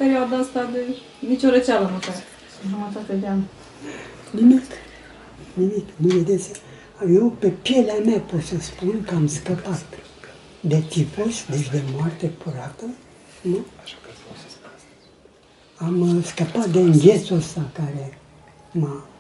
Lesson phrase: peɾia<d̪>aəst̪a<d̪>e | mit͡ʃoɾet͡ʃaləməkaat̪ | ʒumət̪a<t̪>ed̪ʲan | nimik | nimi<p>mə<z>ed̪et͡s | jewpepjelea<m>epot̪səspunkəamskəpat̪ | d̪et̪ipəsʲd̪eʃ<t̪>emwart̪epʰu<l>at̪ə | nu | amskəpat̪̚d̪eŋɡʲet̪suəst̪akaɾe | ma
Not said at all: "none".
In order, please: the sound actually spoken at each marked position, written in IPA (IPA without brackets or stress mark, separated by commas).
d̪, d̪, t̪, k, v, m, d̪, ɾ